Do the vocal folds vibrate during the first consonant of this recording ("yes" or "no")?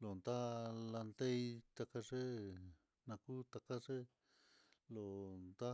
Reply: yes